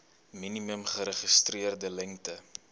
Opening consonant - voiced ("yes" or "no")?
yes